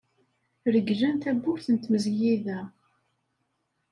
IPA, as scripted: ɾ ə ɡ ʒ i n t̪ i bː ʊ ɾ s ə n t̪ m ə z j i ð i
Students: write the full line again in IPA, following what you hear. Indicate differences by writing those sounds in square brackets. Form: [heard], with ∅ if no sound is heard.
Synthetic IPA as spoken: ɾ ə ɡ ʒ [æ] n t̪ [æ] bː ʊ ɾ [θ] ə n t̪ m ə z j i ð [æ]